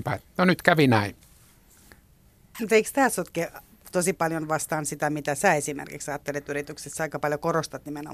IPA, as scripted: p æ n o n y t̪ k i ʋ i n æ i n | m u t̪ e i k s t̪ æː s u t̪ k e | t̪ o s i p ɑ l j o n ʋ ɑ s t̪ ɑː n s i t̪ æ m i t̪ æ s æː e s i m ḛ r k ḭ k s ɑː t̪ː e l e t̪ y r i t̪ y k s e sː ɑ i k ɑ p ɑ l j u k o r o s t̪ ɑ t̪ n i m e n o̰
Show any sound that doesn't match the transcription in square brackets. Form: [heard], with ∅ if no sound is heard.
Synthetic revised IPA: p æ n o n y t̪ k [æ] ʋ i n æ i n | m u t̪ e i k s t̪ æː s [o] t̪ k e | t̪ o s i p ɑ l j o n ʋ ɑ s t̪ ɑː n s i t̪ æ m i t̪ æ s æː e s i m ḛ r k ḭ k s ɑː t̪ː e l e t̪ y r i t̪ y k s e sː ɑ i k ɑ p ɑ l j [o] k o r o s t̪ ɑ t̪ n i m e n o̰